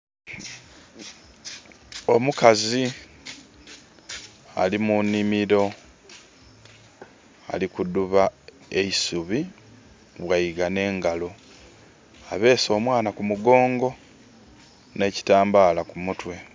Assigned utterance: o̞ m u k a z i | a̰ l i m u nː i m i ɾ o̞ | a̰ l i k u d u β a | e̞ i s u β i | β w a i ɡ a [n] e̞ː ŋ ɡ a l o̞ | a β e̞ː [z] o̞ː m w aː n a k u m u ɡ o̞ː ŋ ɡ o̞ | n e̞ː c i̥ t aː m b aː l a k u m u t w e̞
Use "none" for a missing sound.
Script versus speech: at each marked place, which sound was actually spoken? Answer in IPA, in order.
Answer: n, s

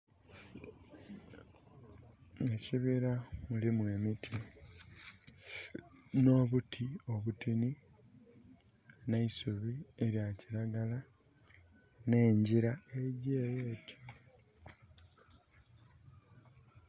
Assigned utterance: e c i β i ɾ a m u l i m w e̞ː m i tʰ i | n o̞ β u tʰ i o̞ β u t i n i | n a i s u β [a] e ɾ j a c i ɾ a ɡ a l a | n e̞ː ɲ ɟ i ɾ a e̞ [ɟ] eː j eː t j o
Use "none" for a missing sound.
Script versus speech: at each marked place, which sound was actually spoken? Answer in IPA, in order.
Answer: i, ɟ

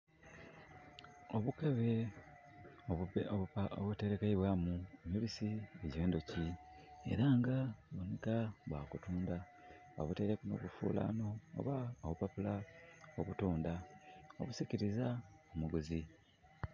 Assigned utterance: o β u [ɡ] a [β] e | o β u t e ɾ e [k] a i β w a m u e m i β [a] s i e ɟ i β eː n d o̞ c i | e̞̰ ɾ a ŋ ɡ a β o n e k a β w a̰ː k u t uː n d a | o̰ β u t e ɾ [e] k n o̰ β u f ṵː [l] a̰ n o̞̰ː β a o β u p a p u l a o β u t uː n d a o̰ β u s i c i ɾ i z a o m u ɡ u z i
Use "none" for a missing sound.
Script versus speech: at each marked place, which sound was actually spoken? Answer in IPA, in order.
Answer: k, β, k, i, e, l

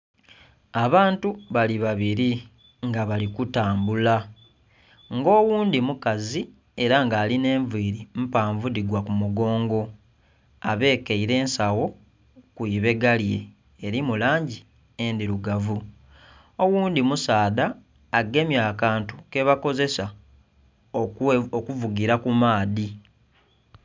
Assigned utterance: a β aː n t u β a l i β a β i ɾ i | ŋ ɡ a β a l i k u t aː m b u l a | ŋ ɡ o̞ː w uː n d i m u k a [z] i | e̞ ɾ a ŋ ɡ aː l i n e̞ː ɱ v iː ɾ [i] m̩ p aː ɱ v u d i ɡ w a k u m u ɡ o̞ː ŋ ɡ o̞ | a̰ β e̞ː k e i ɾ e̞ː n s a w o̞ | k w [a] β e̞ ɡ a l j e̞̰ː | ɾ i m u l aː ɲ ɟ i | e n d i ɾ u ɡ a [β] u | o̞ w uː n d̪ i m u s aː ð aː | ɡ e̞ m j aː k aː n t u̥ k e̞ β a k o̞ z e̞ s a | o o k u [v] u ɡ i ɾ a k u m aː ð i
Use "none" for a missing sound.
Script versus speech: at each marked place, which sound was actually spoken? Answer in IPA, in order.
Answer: z, i, i, v, v

